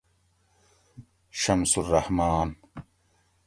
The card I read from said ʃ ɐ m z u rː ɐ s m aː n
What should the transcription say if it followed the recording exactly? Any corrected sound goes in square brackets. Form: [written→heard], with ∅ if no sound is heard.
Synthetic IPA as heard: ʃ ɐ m [z→s] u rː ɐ [s→h] m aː n

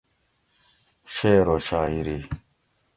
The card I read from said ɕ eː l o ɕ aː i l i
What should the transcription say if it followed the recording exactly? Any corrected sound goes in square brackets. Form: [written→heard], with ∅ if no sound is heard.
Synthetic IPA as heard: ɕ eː [l→ɾ] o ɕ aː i [l→ɾ] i

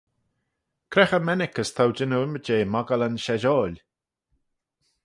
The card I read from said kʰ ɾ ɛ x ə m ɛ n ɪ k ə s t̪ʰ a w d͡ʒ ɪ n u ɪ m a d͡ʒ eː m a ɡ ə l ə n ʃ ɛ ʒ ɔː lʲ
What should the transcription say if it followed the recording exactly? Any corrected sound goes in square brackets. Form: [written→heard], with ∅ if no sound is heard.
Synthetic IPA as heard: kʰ ɾ ɛ x ə m ɛ n ɪ k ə s t̪ʰ a w d͡ʒ ɪ n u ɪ m [a→ə] d͡ʒ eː m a ɡ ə l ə n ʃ ɛ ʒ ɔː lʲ

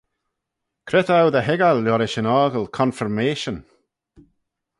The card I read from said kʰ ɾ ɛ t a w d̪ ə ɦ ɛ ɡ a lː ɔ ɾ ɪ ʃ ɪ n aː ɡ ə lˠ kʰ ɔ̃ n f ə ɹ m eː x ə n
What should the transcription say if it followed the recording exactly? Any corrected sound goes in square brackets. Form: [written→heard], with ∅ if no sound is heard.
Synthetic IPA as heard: kʰ ɾ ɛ t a w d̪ ə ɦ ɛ ɡ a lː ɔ ɾ ɪ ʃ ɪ n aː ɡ ə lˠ kʰ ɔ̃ n f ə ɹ m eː [x→ʃ] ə n

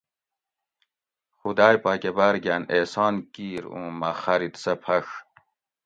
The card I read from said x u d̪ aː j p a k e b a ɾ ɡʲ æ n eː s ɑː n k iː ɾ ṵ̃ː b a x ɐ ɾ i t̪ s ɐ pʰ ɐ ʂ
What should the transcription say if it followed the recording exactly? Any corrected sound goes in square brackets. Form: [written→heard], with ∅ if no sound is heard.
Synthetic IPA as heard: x u d̪ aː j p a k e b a ɾ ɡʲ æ n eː s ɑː n k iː ɾ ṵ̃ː [b→m] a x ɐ ɾ i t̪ s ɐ pʰ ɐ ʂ

